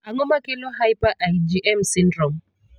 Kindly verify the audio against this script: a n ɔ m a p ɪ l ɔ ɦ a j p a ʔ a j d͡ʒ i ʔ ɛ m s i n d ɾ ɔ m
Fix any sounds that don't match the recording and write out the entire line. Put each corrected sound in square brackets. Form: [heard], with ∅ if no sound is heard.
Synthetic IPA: a [ŋ] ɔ m a [k] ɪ l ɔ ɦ a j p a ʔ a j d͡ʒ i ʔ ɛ m s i n d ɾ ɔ m